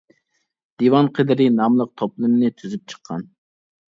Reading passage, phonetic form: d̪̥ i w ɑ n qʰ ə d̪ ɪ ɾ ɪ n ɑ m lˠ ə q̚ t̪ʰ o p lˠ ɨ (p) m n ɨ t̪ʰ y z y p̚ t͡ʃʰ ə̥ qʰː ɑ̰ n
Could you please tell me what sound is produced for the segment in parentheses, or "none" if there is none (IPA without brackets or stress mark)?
none